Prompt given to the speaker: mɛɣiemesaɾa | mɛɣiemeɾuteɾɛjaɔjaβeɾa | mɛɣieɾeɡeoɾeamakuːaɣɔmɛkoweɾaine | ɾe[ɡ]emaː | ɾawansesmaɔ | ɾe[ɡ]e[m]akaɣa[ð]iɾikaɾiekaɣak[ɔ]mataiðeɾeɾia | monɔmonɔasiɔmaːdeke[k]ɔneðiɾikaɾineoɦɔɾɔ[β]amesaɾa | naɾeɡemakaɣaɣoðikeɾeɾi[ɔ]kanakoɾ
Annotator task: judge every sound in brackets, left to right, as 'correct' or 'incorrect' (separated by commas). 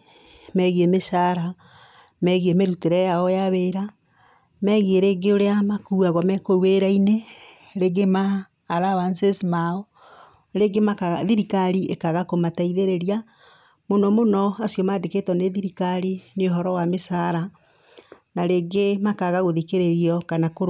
correct, correct, correct, correct, incorrect, incorrect, incorrect, correct